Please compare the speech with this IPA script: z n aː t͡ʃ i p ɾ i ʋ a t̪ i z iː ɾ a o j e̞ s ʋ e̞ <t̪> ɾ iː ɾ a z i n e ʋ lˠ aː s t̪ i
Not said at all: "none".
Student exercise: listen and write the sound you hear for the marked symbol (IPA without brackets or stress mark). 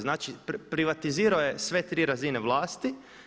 t̪